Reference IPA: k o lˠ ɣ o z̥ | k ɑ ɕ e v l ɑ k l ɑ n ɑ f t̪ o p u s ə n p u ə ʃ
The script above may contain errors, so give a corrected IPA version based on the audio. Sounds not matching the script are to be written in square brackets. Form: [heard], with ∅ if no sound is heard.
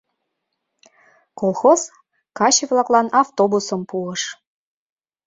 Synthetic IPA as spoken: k o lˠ [x] o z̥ | k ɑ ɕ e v l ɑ k l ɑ n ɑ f t̪ o [b] u s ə [m] p u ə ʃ